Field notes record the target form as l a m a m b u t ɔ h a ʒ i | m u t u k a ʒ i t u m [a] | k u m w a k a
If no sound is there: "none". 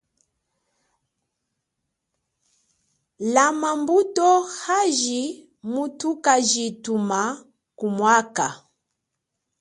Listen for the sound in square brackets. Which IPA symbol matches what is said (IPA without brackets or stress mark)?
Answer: a